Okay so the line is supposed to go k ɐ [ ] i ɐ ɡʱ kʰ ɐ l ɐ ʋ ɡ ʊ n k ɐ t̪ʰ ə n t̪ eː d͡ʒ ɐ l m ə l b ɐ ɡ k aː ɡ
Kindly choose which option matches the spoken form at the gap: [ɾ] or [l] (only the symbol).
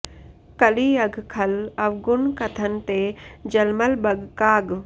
l